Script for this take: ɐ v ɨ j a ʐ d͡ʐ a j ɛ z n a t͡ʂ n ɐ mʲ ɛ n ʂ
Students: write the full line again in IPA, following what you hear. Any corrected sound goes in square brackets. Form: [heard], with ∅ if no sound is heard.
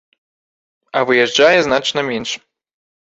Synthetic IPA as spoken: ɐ v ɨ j [ɛ] ʐ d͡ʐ a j ɛ z n a t͡ʂ n ɐ mʲ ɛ n ʂ